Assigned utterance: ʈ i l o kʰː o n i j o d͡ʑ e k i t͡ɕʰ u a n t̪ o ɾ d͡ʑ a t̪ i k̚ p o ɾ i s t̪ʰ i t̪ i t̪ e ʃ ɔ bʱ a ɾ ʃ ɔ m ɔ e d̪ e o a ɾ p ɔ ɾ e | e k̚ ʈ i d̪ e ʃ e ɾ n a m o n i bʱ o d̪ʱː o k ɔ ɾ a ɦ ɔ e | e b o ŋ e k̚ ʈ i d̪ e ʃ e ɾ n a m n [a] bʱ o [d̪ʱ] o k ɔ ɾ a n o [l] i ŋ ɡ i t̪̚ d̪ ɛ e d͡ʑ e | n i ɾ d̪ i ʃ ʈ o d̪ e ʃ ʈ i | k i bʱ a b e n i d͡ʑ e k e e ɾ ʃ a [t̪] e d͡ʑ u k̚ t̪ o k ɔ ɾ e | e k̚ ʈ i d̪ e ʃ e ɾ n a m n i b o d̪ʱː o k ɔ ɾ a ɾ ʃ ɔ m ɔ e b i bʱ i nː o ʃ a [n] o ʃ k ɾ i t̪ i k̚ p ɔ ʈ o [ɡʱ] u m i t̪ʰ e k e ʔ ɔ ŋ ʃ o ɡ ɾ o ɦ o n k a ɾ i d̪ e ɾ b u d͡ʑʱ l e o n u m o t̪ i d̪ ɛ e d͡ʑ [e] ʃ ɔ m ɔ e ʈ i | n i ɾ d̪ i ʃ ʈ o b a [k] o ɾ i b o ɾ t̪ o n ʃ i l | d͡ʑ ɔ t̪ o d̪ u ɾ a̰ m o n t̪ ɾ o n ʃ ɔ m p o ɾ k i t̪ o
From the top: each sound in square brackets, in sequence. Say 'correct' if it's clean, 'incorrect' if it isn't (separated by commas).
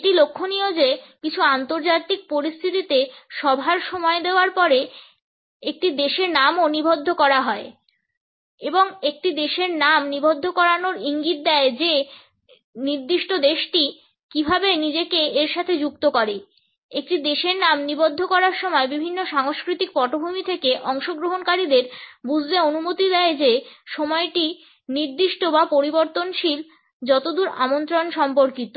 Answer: incorrect, incorrect, incorrect, incorrect, incorrect, incorrect, correct, incorrect